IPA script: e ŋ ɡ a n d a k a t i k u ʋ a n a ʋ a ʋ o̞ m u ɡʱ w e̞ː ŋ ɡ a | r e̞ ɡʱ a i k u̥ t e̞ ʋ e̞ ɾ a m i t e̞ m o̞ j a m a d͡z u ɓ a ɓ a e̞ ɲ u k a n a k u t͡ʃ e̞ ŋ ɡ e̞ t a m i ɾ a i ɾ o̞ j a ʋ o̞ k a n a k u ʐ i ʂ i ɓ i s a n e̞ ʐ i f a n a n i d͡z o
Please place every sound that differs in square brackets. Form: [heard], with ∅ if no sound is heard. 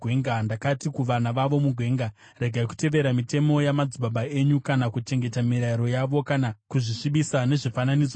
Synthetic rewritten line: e ŋ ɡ a n d a k a t i k u ʋ a n a ʋ a ʋ o̞ m u ɡʱ w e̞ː ŋ ɡ a | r e̞ ɡʱ a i k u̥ t e̞ ʋ e̞ ɾ a m i t e̞ m o̞ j a m a d͡z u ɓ a ɓ a e̞ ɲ u k a n a k u t͡ʃ e̞ ŋ ɡ e̞ t a m i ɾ a i ɾ o̞ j a ʋ o̞ k a n a k u ʐ i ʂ i ɓ i s a n e̞ ʐ i f a n a n i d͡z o